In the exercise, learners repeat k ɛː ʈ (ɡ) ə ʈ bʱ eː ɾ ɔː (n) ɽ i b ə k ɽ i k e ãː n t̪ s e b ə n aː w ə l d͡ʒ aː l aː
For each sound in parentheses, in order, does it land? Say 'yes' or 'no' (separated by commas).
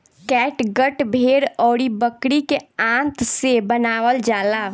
yes, no